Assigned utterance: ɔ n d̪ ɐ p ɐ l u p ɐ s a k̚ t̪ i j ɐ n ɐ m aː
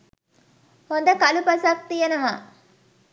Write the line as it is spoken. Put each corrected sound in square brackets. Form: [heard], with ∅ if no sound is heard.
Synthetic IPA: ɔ n d̪ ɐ [k] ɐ l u p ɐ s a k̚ t̪ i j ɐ n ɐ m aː